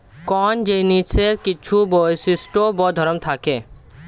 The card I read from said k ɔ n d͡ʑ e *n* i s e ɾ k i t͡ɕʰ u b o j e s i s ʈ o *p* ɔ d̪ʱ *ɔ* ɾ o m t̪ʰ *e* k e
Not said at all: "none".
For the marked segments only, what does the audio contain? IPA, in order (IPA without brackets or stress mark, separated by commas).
n, b, ɔ, a